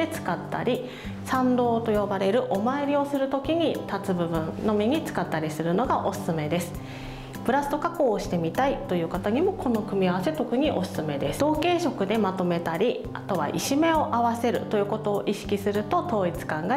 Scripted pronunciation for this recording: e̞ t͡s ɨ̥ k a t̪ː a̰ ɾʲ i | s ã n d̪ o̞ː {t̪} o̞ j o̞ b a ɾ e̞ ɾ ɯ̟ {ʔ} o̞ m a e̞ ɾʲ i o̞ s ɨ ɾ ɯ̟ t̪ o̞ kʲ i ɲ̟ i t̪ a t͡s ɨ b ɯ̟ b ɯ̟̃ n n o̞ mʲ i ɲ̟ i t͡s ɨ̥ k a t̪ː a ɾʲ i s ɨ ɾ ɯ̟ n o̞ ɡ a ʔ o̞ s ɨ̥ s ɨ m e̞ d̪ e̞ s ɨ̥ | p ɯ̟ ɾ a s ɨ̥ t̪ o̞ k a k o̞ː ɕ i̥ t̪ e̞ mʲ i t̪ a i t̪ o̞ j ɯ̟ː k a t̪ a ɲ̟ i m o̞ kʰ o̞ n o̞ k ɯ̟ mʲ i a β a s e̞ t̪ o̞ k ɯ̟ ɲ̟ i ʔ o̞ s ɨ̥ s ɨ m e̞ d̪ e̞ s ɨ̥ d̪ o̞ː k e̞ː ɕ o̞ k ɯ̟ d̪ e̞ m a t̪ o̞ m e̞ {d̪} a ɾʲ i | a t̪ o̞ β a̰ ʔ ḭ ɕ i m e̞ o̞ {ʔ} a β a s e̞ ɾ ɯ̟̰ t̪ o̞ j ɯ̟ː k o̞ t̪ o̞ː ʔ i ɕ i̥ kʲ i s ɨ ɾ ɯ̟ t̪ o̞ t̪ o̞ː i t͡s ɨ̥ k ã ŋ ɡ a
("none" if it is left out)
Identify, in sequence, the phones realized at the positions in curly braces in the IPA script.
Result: t̪, ʔ, t̪, ʔ

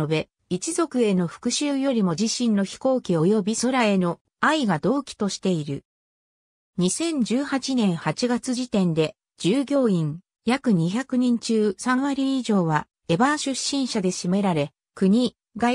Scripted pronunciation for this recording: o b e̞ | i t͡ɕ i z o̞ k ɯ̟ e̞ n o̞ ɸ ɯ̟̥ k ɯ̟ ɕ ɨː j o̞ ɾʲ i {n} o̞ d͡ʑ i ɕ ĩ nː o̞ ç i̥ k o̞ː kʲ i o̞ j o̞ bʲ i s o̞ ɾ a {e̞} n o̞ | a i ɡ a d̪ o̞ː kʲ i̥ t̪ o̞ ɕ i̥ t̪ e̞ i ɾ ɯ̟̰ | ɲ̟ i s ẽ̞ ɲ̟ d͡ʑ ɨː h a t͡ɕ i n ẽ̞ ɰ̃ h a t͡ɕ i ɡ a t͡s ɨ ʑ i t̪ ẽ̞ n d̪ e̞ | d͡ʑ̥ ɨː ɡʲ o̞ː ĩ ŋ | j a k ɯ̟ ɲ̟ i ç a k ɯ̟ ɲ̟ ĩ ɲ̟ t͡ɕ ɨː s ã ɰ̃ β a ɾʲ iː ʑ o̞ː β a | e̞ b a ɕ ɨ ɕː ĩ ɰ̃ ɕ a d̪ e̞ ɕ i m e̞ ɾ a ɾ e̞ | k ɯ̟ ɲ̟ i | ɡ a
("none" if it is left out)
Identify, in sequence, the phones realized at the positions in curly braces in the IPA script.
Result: m, e̞

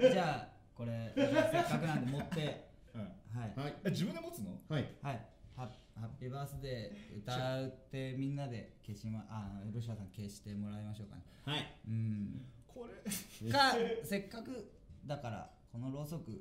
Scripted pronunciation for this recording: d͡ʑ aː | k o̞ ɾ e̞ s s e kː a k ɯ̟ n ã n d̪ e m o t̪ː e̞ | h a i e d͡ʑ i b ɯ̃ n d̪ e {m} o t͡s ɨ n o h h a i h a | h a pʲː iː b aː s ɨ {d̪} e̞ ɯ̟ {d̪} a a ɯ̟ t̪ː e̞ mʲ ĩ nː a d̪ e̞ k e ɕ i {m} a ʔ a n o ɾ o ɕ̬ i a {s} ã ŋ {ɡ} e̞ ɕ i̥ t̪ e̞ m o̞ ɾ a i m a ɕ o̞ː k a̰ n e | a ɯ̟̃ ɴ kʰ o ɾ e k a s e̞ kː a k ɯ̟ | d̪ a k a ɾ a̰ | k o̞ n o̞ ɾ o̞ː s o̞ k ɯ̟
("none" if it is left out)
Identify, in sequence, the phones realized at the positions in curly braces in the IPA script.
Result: m, d̪, t̪, m, s, k

